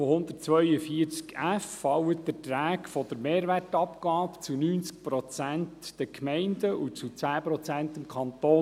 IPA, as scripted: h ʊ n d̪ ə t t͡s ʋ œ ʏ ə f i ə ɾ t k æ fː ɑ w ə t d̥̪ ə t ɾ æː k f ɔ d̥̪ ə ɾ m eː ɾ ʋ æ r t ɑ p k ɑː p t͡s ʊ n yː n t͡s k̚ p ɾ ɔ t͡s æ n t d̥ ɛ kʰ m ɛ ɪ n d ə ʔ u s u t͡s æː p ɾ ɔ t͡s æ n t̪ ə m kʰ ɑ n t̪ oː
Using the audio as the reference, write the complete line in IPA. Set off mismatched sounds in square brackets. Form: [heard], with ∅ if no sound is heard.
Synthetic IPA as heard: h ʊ n d̪ ə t t͡s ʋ œ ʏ ə f i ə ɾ [t͡s] k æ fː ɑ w ə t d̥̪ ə t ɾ æː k f ɔ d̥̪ ə ɾ m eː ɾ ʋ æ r t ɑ p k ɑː p t͡s [u] n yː n t͡s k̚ p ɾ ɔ t͡s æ n t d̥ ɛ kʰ m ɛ ɪ n d ə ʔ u [t͡s] u t͡s æː p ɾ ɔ t͡s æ n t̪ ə m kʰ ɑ n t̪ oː